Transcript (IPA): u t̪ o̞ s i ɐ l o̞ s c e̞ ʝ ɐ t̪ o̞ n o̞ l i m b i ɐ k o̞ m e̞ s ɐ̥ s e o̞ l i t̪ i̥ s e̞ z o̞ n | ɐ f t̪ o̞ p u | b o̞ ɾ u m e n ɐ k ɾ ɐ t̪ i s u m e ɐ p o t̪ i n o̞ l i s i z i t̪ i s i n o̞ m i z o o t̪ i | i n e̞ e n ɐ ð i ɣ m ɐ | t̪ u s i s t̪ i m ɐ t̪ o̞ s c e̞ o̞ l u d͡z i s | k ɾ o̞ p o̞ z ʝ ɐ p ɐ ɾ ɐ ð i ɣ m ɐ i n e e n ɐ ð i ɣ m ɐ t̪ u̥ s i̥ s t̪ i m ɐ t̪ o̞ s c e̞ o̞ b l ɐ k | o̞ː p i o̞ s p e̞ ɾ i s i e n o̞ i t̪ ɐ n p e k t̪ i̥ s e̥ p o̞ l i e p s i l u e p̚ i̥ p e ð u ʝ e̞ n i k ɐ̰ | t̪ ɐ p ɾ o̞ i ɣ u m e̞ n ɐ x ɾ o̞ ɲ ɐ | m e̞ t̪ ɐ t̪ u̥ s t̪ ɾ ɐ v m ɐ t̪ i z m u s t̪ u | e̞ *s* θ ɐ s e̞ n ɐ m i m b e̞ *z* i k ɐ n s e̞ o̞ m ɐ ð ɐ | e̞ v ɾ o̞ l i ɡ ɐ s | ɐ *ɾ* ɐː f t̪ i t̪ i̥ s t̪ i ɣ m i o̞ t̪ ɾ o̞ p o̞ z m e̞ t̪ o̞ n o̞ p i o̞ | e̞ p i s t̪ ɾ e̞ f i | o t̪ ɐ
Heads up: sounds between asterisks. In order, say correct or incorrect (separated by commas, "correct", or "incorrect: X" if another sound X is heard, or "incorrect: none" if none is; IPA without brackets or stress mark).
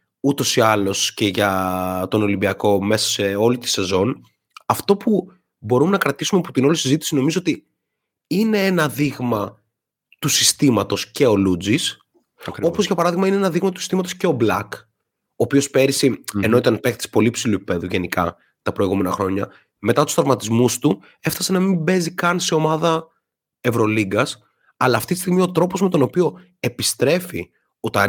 incorrect: f, correct, incorrect: l